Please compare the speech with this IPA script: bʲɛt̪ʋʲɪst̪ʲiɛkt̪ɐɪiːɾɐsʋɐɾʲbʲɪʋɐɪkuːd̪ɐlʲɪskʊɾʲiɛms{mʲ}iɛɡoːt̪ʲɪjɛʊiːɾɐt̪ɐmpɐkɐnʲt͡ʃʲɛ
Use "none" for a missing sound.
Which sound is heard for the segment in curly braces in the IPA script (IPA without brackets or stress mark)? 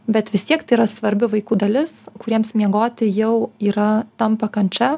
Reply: mʲ